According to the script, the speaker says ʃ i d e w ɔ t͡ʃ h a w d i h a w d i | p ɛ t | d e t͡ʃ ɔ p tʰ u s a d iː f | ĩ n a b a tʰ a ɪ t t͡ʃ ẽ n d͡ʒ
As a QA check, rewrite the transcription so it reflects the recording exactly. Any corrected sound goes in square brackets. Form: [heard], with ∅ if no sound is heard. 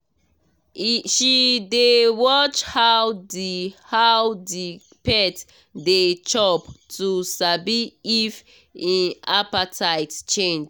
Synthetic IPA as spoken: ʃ i d e w ɔ t͡ʃ h a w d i h a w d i | p ɛ t | d e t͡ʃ ɔ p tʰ u s a [b] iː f | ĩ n a [p] a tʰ a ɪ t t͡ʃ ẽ n d͡ʒ